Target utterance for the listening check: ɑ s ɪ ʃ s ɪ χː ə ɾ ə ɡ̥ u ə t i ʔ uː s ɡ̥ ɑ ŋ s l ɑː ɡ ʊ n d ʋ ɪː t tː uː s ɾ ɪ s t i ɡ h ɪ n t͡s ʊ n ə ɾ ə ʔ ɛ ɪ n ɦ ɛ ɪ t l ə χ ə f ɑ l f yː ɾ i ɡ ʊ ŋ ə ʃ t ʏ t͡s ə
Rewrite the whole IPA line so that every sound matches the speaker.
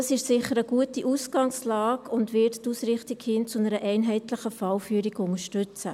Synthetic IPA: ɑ s ɪ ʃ s ɪ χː ə ɾ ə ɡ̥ u ə t i ʔ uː s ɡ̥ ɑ ŋ s l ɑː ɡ ʊ n d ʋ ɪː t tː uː s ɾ ɪ χ t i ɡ h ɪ n t͡s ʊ n ə ɾ ə ʔ ɛ ɪ n ɦ ɛ ɪ t l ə χ ə f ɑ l f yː ɾ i ɡ ʊ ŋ ə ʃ t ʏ t͡s ə